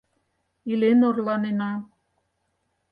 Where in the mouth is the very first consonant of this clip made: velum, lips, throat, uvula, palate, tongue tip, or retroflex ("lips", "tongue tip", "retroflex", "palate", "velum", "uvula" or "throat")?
tongue tip